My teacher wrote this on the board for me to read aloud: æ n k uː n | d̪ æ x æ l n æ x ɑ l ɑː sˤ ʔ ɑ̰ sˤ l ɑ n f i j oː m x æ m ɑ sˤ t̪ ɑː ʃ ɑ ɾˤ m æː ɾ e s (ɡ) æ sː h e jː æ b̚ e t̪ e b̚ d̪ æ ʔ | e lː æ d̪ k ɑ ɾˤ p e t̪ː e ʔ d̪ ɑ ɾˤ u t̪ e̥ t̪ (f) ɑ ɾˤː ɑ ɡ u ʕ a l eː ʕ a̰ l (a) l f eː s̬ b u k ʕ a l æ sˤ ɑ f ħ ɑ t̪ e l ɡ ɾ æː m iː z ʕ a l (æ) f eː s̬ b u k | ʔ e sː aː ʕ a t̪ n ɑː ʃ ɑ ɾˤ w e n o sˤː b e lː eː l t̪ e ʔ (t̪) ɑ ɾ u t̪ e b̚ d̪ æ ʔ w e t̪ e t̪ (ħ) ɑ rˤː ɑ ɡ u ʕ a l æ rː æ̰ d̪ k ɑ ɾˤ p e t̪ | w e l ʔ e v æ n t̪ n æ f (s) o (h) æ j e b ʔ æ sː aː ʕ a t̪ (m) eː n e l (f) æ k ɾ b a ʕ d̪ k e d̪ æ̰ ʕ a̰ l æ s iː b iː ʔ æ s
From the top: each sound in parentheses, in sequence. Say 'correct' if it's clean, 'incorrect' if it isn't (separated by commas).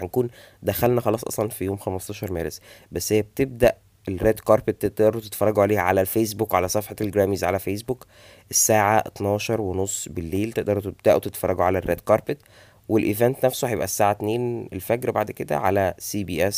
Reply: incorrect, correct, incorrect, correct, incorrect, incorrect, correct, correct, incorrect, correct